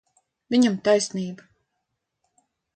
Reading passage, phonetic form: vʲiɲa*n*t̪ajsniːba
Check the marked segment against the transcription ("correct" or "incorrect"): incorrect